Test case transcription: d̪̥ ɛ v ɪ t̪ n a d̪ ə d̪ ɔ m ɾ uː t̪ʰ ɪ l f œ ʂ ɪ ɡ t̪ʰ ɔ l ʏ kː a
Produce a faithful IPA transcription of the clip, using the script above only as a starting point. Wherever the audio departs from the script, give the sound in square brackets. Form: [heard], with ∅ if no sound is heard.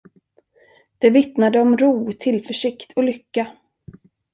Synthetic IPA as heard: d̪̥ ɛ v ɪ t̪ n a d̪ ə [∅] ɔ m ɾ uː t̪ʰ ɪ l f œ ʂ ɪ [k] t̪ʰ ɔ l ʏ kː a